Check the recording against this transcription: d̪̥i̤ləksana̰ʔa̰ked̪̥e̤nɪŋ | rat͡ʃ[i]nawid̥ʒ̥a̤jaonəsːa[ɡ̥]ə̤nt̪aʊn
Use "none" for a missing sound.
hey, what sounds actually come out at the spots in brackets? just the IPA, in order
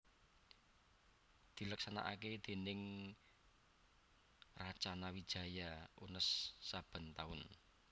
a, b̥

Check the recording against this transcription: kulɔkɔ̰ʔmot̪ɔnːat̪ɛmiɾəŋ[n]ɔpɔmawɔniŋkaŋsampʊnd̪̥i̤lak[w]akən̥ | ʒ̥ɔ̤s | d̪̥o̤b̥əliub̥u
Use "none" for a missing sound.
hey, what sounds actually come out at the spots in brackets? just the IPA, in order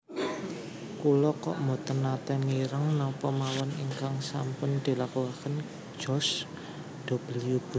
n, u

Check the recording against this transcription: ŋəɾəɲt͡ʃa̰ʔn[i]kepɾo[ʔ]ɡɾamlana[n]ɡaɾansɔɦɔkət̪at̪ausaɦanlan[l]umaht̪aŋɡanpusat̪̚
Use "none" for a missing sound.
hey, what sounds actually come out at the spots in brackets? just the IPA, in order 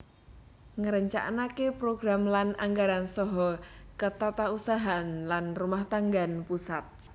a, none, ŋ, r

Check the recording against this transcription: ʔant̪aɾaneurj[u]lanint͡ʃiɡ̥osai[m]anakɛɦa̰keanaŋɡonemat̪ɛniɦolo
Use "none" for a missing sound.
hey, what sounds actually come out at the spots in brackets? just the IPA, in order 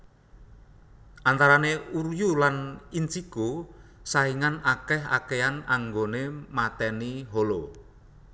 u, ŋ

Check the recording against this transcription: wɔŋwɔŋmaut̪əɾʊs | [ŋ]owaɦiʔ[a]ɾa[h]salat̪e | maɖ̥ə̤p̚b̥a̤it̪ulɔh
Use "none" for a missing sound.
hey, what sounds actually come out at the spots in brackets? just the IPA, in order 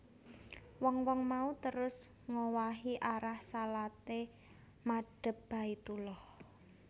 ŋ, a, h

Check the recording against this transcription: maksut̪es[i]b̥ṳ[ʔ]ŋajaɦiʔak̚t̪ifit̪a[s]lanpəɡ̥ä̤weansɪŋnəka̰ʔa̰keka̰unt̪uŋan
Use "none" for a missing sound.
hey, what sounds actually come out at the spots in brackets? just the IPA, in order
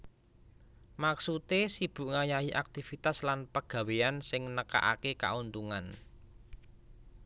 i, ʔ, s

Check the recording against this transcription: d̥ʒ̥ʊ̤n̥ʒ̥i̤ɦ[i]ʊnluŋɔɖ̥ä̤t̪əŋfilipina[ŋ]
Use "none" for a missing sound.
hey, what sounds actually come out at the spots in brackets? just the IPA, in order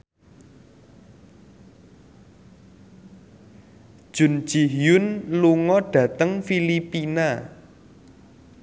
j, none

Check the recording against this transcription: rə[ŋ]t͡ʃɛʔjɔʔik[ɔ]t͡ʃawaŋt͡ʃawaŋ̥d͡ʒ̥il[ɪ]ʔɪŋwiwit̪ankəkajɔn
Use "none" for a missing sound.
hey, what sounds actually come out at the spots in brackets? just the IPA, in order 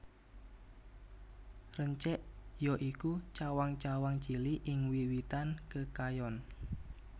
ɲ, u, i

